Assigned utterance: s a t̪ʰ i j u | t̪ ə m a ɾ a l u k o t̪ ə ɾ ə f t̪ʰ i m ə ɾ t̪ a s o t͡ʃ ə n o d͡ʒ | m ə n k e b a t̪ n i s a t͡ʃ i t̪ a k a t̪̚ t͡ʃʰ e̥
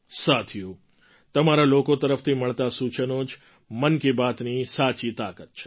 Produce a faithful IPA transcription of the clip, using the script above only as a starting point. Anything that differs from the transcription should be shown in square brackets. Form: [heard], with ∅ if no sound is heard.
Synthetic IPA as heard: s a t̪ʰ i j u | t̪ ə m a ɾ a l [o] k o t̪ ə ɾ ə f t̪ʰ i m ə [ɭ] t̪ a s [u] t͡ʃ ə n o d͡ʒ | m ə n k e b a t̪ n i s a t͡ʃ i t̪ a k [ə] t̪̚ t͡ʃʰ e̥

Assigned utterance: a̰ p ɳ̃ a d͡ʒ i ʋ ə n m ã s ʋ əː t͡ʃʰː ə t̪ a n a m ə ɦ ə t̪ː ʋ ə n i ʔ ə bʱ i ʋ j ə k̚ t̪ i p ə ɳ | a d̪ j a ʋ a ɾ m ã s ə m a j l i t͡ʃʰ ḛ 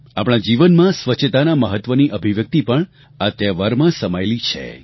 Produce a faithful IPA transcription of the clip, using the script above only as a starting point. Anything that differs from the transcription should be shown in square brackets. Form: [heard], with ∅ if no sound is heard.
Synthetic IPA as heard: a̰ p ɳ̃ a d͡ʒ i ʋ ə n m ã s ʋ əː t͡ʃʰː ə t̪ a n a m ə ɦ ə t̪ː ʋ ə n i ʔ ə bʱ i ʋ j ə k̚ t̪ i p ə ɳ | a [t̪] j a ʋ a ɾ m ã s ə m a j l i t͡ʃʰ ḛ

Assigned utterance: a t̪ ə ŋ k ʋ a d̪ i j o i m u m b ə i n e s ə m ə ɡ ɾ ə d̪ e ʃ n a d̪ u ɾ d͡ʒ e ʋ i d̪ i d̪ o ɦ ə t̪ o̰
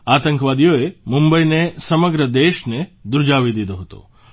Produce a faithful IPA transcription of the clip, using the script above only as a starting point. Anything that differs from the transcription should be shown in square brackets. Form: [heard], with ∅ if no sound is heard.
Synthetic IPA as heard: a t̪ ə ŋ k ʋ a d̪ i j o [e] m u m b ə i n e s ə m ə ɡ ɾ ə d̪ e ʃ n [e] d̪ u ɾ d͡ʒ [a] ʋ i d̪ i d̪ o ɦ ə t̪ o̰

